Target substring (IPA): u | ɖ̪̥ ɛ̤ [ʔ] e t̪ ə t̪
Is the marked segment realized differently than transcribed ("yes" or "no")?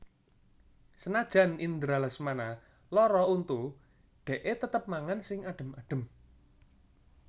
no